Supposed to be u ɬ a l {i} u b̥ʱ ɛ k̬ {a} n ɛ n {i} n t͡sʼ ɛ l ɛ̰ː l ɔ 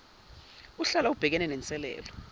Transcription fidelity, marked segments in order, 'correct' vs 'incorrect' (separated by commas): incorrect, incorrect, incorrect